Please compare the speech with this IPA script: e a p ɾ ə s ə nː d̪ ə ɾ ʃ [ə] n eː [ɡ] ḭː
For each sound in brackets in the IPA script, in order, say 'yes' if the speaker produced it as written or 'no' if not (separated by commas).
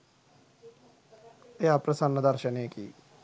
yes, no